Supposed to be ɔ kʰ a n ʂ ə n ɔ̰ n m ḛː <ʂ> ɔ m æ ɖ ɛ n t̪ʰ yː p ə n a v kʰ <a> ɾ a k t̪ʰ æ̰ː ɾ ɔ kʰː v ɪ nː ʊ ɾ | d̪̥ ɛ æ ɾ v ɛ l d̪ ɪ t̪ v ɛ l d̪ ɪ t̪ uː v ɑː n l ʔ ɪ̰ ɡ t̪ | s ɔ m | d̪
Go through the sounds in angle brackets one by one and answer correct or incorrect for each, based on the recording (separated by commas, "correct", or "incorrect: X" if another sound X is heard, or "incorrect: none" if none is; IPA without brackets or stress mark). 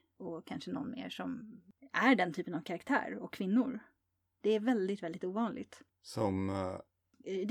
correct, correct